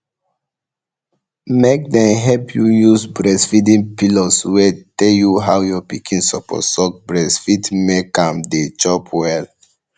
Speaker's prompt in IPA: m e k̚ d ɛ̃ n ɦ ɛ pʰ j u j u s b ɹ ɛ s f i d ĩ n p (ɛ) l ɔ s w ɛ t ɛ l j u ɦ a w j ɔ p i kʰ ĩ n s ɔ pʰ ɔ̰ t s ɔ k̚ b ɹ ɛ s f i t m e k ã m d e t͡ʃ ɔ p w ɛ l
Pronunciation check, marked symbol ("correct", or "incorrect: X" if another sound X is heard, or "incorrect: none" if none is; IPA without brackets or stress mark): incorrect: i